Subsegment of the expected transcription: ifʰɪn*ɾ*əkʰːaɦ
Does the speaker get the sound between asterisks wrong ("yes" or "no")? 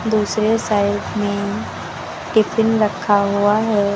no